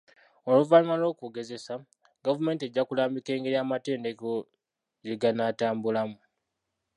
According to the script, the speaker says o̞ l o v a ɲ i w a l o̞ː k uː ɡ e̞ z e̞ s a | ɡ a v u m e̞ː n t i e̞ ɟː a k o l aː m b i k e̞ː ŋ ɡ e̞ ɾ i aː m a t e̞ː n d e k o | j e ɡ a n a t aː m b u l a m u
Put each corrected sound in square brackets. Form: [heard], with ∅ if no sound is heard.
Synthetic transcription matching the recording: o̞ l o v a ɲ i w a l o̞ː k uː ɡ e̞ z e̞ s a | ɡ a v u m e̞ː n t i e̞ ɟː a k [u] l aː m b i k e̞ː ŋ ɡ e̞ ɾ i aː m a t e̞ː n d e k o | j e ɡ a n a t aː m b u l a m u